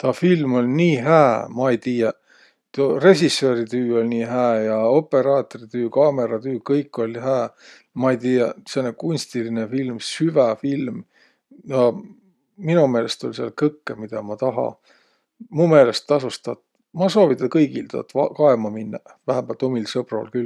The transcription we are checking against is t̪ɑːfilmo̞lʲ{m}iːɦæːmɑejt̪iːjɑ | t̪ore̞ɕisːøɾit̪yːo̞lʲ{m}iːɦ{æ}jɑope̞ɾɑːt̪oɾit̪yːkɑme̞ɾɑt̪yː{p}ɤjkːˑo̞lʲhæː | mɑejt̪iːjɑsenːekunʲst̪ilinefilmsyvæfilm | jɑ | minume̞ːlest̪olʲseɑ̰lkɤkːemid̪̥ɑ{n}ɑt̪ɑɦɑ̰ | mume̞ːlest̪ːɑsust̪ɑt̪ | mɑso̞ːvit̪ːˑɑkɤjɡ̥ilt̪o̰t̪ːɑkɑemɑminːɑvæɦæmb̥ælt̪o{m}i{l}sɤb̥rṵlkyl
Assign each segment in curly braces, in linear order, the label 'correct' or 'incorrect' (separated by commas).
incorrect, incorrect, incorrect, incorrect, incorrect, correct, correct